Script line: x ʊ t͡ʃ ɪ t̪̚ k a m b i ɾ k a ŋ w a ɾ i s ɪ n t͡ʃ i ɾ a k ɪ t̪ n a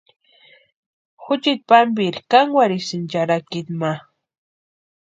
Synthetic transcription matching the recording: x ʊ t͡ʃ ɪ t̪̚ p a m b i ɾ k a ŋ w a ɾ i s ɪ n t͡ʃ a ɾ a k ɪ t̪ m a